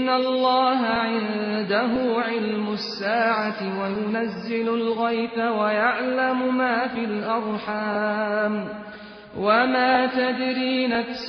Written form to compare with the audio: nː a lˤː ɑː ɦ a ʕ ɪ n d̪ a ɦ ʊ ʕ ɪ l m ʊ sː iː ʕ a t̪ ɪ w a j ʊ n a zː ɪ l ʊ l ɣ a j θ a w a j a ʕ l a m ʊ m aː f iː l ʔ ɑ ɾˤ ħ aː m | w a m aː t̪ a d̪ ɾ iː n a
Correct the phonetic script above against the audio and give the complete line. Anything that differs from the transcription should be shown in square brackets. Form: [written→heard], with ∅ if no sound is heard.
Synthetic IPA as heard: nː a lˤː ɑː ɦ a ʕ ɪ n d̪ a ɦ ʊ ʕ ɪ l m ʊ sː [iː→aː] ʕ a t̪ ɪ w a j ʊ n a zː ɪ l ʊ l ɣ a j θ a w a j a ʕ l a m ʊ m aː f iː l ʔ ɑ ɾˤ ħ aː m | w a m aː t̪ a d̪ ɾ iː n a